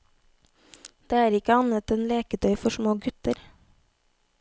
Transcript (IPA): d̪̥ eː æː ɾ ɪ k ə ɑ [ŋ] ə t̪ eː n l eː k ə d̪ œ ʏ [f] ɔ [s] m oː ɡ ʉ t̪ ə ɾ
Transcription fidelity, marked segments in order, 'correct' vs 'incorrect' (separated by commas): incorrect, correct, incorrect